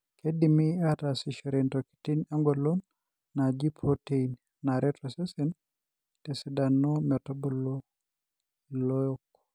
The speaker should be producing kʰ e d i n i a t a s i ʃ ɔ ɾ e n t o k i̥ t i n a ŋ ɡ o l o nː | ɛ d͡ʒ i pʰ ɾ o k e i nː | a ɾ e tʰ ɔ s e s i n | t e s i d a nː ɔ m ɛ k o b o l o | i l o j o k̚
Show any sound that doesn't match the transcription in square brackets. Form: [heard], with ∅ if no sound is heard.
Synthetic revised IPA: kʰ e d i [m] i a t a s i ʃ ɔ ɾ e n t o k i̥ t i n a ŋ ɡ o l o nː | [a] d͡ʒ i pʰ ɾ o [t] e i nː | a ɾ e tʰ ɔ s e s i n | t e s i d a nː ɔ m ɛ [t] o b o l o | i l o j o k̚

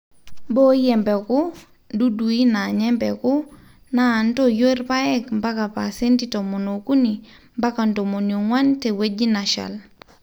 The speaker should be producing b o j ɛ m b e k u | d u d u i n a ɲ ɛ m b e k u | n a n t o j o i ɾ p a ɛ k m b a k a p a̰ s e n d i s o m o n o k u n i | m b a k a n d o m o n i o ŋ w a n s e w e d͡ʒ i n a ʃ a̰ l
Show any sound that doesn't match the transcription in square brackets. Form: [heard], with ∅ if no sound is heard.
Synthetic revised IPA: b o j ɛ m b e k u | d u d u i n a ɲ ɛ m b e k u | n a n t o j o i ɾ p a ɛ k m b a k a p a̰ s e n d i [t] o m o n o k u n i | m b a k a n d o m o n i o ŋ w a n [t] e w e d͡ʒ i n a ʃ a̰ l

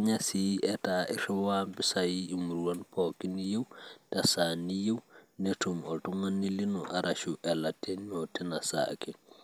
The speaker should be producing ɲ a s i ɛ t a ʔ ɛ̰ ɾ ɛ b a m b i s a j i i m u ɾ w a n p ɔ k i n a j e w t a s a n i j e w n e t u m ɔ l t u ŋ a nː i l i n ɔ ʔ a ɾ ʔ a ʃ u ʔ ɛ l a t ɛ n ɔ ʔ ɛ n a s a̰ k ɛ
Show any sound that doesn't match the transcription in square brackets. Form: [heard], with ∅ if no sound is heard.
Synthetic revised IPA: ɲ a s i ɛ t a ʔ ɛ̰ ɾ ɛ [w] a m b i s a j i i m u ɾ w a n p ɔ k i n [i] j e w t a s a n i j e w n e t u m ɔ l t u ŋ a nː i l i n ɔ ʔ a ɾ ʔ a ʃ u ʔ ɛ l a t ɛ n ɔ [t] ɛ n a s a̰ k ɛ

